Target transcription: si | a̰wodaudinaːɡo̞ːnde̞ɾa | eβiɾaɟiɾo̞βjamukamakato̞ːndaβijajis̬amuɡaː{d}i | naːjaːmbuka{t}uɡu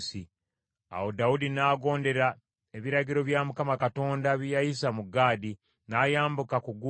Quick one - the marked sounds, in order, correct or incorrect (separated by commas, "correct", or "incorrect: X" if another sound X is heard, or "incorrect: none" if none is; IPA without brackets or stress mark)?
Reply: correct, incorrect: k